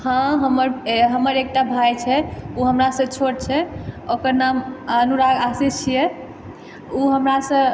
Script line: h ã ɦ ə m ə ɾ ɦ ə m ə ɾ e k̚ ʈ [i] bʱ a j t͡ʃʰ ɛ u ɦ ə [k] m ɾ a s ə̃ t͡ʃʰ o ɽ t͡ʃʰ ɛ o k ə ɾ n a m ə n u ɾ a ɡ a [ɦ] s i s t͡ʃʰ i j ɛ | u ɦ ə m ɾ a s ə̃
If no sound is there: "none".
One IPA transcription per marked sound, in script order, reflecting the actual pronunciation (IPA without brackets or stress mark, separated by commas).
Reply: a, none, none